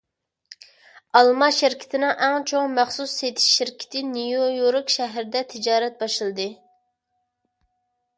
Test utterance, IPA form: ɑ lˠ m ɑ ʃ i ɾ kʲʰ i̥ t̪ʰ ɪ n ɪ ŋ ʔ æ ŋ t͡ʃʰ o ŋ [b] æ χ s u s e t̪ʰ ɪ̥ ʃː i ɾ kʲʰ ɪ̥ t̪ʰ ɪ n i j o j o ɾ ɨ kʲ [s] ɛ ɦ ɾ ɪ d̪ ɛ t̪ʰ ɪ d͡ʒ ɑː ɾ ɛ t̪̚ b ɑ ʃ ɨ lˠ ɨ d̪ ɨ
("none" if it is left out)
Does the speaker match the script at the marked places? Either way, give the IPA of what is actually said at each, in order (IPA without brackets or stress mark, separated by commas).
m, ʃ